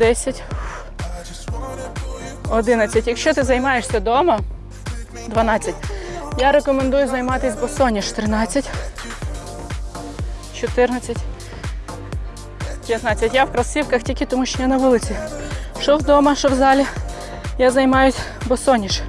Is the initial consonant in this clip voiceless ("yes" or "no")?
no